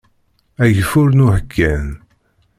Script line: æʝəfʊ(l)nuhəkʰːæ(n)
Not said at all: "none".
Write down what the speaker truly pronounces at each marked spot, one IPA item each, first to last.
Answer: ɾ, n

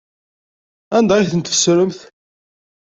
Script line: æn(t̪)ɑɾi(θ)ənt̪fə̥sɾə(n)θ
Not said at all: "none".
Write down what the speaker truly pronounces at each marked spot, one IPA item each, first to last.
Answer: d̪, θ, m

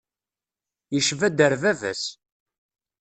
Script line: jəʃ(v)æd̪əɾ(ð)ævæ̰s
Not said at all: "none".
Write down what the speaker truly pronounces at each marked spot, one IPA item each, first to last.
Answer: v, v

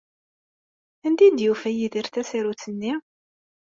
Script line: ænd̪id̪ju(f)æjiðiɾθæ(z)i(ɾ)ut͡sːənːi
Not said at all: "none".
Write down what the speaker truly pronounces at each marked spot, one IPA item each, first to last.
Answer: f, s, ɾ

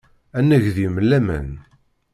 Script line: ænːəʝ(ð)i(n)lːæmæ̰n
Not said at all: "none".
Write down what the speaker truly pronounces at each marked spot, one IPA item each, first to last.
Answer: ð, m

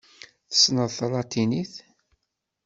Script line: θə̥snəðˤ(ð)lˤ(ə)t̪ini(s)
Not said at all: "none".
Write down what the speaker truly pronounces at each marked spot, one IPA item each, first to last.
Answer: θ, ɑ, θ

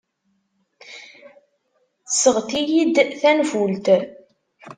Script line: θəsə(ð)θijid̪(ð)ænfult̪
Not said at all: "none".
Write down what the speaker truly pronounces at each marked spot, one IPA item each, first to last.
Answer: ʁ, θ

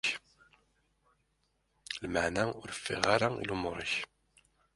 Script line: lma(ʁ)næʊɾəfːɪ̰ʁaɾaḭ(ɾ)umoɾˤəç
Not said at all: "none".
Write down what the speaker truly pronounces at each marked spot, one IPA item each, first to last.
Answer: ʕ, l

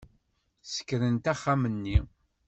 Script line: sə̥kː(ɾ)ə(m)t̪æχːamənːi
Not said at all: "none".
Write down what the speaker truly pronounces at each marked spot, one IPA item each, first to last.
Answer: ɾ, n

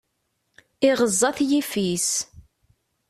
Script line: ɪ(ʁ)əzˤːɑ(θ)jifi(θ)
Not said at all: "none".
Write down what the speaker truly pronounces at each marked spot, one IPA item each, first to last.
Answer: ʁ, θ, s

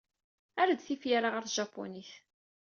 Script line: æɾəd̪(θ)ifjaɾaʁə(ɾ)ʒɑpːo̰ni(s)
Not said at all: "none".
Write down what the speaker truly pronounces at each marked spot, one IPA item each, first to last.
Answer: θ, ɾ, θ

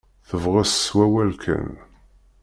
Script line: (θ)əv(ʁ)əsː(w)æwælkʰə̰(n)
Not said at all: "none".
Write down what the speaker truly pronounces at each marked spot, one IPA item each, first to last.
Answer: θ, ʁ, w, n

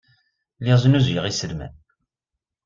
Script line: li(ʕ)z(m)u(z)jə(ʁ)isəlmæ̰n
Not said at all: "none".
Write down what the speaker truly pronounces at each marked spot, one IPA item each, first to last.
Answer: ʁ, n, z, ʁ

